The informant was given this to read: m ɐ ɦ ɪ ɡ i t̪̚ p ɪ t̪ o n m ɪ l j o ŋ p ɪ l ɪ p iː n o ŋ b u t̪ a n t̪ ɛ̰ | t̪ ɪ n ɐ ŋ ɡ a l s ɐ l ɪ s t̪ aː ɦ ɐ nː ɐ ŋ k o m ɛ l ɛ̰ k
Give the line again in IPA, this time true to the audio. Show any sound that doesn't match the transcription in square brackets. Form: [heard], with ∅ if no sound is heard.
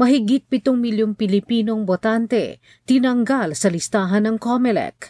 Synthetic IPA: m ɐ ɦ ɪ ɡ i t̪̚ p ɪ t̪ o [ŋ] m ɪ l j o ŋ p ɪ l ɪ p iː n o ŋ b [o] t̪ a n t̪ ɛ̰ | t̪ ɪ n ɐ ŋ ɡ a l s ɐ l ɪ s t̪ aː ɦ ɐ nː ɐ ŋ k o m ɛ l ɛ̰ k